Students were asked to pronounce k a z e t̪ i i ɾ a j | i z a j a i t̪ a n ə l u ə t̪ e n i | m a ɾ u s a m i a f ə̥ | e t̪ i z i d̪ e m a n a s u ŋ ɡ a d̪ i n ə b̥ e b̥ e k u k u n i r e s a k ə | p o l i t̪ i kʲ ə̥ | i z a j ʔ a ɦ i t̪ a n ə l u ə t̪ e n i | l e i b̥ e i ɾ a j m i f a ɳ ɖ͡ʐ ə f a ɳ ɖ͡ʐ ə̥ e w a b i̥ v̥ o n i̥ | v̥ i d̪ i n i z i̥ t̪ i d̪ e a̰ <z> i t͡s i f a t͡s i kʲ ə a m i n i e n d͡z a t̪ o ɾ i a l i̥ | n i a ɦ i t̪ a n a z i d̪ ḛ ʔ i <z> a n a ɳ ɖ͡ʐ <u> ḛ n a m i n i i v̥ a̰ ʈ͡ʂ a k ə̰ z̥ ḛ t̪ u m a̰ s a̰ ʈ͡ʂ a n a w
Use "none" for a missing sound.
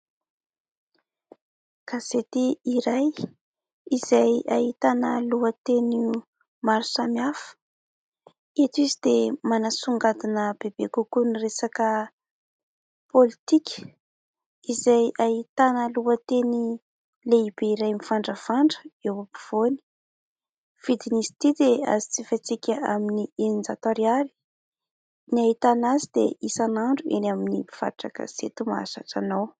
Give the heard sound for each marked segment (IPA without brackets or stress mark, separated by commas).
z, s, u